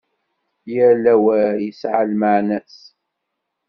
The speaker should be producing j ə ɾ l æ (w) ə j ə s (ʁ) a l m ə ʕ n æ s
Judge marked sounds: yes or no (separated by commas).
yes, no